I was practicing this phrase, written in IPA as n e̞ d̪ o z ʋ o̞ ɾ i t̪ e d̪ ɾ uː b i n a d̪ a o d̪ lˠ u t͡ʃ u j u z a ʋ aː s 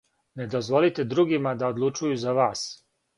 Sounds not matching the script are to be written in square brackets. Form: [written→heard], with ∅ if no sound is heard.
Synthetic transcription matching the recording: n e̞ d̪ o z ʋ o̞ [ɾ→l] i t̪ e d̪ ɾ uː [b→ɡ] i [n→m] a d̪ a o d̪ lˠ u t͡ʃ u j u z a ʋ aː s